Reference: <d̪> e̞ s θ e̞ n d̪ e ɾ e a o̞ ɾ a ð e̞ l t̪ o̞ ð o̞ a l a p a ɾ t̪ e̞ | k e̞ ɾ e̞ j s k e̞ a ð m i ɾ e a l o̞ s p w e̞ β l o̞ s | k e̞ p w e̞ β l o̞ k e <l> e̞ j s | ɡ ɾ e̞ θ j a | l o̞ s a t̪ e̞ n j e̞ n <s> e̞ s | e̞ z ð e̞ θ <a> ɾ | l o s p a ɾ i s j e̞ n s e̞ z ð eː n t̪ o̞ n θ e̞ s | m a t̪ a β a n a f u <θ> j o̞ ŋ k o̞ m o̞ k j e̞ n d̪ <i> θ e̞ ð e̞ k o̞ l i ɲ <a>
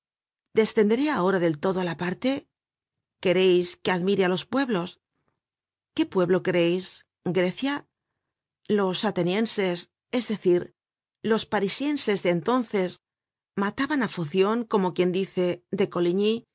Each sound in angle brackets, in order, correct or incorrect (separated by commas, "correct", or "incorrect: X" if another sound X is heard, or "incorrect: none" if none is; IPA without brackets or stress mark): correct, incorrect: ɾ, correct, incorrect: i, correct, correct, incorrect: i